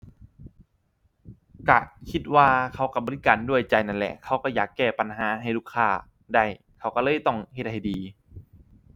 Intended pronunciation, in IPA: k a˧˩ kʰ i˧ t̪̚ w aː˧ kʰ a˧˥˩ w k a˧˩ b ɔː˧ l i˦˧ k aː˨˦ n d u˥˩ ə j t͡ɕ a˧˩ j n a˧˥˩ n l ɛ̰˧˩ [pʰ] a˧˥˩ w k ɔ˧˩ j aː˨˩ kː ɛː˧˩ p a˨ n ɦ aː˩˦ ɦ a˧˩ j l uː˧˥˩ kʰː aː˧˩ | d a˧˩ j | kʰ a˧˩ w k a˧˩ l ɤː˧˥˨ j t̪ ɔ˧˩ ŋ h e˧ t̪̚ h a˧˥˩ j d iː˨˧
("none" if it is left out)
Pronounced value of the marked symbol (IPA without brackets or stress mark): kʰ